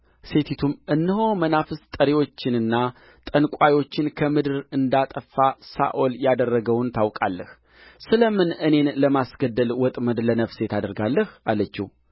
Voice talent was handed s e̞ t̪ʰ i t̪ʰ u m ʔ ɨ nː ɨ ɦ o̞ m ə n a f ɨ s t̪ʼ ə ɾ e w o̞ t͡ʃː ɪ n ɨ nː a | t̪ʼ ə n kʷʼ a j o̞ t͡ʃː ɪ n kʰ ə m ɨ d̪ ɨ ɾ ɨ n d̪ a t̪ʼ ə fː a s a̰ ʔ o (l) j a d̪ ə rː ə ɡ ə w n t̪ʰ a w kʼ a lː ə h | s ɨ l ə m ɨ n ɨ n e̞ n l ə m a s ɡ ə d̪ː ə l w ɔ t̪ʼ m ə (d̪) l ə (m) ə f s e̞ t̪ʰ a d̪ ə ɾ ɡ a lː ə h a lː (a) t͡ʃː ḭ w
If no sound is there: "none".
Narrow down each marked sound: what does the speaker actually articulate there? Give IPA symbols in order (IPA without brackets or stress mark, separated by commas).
l, d̪, n, ə